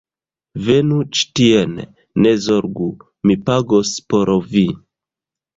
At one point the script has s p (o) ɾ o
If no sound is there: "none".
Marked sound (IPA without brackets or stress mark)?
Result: o